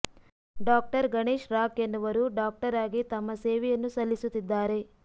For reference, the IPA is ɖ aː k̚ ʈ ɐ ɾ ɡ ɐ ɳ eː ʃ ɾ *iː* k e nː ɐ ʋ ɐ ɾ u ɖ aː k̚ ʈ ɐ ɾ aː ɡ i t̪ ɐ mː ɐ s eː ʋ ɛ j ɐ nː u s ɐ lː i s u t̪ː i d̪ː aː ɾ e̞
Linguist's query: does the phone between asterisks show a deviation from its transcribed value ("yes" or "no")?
yes